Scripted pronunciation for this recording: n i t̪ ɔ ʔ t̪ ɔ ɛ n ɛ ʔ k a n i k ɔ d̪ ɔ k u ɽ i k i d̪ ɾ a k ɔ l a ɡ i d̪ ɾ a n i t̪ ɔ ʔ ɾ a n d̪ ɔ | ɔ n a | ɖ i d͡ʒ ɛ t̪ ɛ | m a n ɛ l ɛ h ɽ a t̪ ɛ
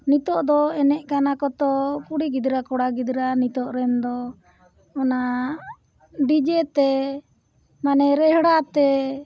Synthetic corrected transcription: n i t̪ ɔ ʔ d̪ ɔ ɛ n ɛ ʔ k a n a k ɔ t̪ ɔ k u ɽ i ɡ i d̪ ɾ a k ɔ ɽ a ɡ i d̪ ɾ a n i t̪ ɔ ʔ ɾ ɛ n d̪ ɔ | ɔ n a | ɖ i d͡ʒ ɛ t̪ ɛ | m a n ɛ ɾ ɛ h ɽ a t̪ ɛ